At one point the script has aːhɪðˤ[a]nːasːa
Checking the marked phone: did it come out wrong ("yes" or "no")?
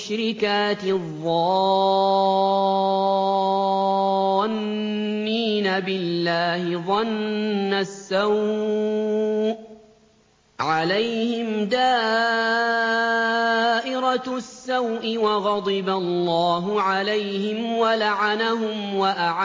yes